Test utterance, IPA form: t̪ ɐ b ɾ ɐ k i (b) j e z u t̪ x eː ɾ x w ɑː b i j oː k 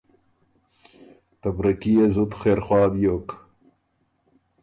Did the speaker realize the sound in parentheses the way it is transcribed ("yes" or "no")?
no